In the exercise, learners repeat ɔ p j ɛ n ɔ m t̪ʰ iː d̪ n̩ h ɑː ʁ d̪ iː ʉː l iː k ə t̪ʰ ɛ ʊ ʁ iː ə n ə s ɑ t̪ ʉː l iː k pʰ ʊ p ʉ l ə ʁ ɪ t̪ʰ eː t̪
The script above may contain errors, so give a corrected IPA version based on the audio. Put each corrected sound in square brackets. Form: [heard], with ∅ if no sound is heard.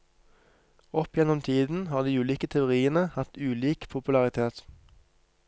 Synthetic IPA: ɔ p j ɛ n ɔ m t̪ʰ iː d̪ n̩ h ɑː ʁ d̪ iː ʉː l iː k ə t̪ʰ ɛ ʊ ʁ iː ə n ə [h] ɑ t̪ ʉː l iː k pʰ ʊ p ʉ l [ɑ] ʁ ɪ t̪ʰ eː t̪